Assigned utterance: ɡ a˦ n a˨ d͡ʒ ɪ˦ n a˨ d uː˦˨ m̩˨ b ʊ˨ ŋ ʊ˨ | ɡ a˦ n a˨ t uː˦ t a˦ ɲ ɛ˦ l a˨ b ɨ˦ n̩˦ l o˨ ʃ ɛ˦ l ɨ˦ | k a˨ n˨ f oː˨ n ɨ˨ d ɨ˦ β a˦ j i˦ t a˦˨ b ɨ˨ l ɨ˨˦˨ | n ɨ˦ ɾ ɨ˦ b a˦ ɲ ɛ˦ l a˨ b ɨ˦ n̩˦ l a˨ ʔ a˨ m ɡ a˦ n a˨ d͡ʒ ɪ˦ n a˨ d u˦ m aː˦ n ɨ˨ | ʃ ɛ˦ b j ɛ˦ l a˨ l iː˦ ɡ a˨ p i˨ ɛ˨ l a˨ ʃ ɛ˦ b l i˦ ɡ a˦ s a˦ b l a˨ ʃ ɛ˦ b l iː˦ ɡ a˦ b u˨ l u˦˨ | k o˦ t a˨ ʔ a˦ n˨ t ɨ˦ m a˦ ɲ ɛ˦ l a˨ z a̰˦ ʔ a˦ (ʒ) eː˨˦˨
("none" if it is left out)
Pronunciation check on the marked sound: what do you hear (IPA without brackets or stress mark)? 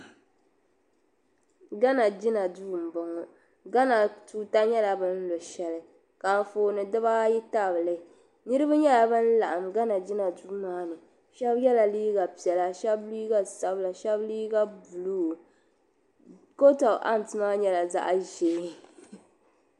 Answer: ʒ